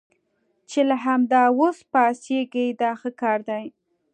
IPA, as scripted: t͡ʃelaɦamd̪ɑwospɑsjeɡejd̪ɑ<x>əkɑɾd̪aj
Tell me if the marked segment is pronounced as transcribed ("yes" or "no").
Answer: yes